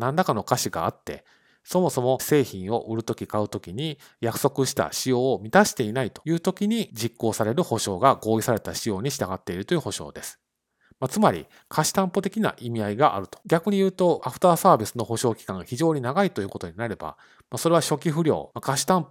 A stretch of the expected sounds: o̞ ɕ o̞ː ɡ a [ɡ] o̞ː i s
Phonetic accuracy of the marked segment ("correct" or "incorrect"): correct